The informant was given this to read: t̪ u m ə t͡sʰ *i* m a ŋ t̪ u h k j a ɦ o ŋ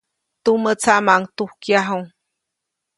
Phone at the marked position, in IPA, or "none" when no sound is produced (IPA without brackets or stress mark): a